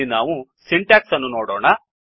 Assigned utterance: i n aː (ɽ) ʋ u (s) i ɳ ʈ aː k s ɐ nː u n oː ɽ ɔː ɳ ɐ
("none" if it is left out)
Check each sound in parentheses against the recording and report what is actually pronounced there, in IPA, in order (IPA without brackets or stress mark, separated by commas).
none, s